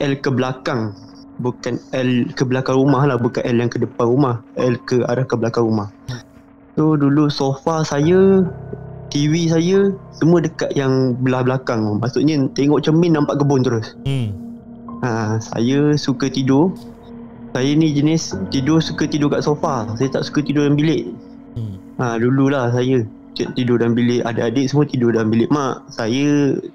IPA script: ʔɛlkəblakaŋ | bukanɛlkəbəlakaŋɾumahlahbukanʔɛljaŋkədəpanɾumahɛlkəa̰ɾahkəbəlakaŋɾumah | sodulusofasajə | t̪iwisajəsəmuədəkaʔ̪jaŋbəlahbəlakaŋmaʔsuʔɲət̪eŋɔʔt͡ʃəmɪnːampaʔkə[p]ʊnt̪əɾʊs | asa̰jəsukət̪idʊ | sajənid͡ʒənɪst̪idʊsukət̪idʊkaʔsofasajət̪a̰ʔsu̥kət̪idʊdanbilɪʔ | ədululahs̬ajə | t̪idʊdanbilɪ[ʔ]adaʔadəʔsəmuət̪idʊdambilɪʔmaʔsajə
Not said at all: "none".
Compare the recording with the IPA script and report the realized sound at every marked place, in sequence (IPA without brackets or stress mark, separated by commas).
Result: b, ʔ